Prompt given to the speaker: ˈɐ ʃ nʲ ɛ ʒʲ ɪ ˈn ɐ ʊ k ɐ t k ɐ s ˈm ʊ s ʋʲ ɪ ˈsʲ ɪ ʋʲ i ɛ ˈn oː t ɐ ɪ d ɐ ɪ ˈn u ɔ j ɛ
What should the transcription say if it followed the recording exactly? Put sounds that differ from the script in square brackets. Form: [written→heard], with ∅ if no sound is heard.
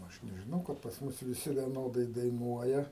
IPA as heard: ˈɐ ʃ nʲ ɛ ʒʲ ɪ ˈn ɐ ʊ k ɐ t [k→p] ɐ s ˈm ʊ s ʋʲ ɪ ˈsʲ ɪ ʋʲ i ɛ ˈn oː [t→d] ɐ ɪ d ɐ ɪ ˈn u ɔ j ɛ